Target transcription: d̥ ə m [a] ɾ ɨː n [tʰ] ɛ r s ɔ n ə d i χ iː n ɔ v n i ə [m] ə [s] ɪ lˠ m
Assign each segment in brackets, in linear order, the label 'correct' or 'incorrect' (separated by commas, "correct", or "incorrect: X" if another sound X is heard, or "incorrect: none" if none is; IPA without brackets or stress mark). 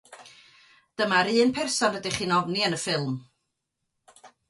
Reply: correct, incorrect: pʰ, incorrect: n, incorrect: f